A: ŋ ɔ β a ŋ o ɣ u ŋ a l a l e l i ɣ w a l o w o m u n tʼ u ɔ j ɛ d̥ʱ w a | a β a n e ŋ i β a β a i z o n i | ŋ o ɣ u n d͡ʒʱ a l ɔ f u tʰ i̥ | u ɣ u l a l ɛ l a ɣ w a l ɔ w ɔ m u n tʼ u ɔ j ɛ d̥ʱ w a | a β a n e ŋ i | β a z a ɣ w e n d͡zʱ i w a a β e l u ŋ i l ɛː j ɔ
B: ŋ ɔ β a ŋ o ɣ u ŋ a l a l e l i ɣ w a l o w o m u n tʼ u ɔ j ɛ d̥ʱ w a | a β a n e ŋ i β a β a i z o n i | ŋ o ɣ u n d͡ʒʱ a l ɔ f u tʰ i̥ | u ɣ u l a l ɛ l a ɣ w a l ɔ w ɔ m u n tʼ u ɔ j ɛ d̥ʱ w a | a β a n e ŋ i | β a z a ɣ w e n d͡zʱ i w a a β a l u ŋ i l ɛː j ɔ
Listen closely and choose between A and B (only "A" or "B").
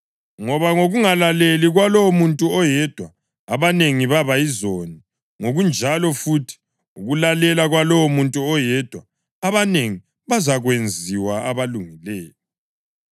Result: B